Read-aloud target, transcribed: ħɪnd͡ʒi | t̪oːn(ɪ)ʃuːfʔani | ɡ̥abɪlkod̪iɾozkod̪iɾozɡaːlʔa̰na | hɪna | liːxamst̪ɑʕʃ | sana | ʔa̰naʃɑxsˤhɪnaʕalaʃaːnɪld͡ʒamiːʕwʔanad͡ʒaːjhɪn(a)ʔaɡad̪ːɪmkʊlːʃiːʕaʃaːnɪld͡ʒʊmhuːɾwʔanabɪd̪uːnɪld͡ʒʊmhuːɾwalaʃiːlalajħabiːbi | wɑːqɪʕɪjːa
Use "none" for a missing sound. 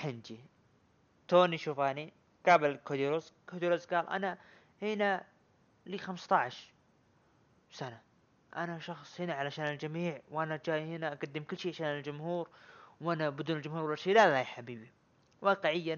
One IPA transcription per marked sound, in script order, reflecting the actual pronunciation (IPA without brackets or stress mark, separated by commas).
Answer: i, a